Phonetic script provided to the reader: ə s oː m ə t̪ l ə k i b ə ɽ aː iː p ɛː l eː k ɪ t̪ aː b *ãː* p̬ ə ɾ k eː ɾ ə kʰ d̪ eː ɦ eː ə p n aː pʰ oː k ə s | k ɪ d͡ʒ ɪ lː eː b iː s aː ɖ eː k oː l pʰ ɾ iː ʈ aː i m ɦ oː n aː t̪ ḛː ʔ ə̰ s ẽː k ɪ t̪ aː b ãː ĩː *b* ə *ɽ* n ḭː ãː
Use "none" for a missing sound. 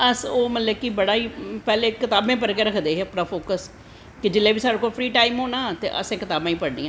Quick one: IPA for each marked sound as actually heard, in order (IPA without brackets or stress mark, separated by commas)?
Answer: ẽː, p, ɽ